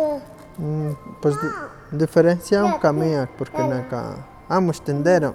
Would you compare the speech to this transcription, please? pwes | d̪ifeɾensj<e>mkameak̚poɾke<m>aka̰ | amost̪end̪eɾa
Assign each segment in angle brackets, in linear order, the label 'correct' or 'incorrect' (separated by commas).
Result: incorrect, incorrect